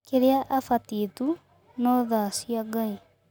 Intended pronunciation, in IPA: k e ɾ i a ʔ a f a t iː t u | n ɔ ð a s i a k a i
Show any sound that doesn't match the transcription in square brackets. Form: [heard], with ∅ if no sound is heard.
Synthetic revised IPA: k e ɾ [e] a ʔ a f a t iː t u | n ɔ ð a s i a [ɡ] a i